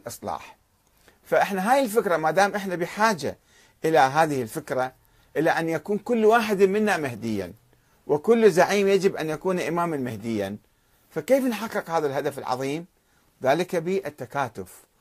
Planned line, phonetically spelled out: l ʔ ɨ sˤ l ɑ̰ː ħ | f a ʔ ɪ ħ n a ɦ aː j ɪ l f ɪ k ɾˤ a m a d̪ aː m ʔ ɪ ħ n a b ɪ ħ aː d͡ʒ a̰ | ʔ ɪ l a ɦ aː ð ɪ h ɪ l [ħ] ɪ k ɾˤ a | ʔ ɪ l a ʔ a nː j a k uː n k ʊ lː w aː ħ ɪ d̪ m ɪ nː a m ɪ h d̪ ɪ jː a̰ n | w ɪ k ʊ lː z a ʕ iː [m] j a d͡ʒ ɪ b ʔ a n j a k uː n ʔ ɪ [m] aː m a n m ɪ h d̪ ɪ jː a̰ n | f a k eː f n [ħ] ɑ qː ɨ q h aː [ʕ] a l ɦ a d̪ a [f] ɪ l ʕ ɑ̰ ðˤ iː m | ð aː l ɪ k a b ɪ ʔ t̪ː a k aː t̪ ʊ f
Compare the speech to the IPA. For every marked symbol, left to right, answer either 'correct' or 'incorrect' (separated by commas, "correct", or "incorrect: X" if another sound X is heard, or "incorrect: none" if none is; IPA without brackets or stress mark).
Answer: incorrect: f, correct, correct, correct, incorrect: ð, correct